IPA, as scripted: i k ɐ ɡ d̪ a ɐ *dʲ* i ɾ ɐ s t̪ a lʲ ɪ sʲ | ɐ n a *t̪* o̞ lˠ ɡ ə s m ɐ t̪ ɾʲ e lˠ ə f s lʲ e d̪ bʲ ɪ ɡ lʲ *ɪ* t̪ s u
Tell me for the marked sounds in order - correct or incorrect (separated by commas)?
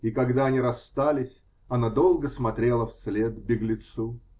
incorrect, incorrect, correct